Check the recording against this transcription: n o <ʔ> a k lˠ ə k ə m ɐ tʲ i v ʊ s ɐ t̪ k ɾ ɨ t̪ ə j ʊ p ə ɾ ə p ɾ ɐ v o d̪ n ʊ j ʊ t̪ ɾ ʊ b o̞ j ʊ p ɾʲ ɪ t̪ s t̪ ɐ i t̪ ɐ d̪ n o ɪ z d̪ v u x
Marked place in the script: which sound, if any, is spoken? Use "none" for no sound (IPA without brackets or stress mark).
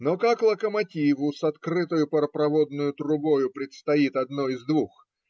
k